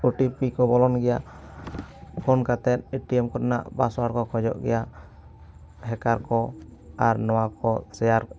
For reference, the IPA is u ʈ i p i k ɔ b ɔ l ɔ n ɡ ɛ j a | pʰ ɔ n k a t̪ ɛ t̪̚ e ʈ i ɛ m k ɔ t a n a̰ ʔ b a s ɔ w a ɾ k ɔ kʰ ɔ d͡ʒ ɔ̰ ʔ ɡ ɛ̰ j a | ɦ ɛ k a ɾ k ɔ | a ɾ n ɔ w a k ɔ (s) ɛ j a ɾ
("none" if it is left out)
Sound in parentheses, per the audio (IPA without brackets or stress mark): s